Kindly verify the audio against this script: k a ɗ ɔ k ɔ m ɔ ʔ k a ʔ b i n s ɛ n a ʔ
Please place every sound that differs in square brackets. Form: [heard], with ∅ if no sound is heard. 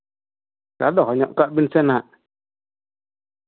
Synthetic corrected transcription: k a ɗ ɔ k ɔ [ɲ] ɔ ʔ k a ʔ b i n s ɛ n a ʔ